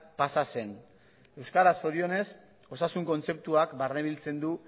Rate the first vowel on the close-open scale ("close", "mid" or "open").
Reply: open